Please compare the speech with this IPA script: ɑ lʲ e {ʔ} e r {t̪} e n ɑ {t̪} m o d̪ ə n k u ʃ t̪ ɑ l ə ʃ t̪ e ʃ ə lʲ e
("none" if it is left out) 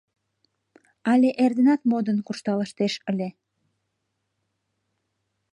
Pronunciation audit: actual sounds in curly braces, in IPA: ʔ, d̪, t̪

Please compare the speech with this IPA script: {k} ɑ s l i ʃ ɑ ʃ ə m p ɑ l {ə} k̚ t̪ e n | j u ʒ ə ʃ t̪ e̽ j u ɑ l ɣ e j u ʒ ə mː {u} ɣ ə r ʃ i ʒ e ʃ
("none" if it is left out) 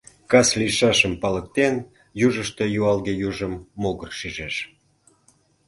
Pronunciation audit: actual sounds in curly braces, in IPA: k, ə, o

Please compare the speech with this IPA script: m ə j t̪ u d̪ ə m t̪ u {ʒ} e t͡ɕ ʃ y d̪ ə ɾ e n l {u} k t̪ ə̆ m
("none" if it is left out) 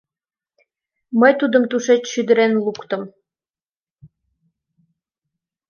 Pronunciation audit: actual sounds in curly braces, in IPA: ʃ, u

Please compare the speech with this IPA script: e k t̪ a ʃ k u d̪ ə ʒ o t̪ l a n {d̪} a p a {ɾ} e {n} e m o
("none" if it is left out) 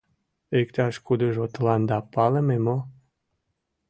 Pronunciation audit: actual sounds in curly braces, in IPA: d̪, l, m

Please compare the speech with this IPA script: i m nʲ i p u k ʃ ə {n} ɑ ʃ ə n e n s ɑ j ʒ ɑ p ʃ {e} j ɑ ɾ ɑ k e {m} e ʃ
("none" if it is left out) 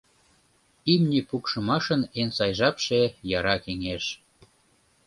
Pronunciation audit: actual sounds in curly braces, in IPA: m, e, ŋ

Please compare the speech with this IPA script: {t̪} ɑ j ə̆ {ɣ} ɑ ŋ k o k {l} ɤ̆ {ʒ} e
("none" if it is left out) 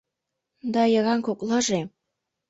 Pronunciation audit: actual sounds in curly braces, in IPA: d̪, ɣ, l, ʒ

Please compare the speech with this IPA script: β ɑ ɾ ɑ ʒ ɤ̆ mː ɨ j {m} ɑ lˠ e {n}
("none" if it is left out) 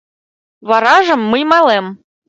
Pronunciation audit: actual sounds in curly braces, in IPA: m, m

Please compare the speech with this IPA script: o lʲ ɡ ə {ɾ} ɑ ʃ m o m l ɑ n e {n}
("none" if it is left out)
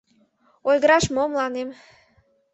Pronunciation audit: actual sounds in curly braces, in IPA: ɾ, m

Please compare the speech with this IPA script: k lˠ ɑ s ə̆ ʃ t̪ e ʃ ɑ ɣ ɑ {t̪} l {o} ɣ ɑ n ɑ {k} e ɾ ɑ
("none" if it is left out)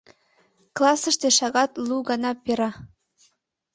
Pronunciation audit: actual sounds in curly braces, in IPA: t̪, u, p

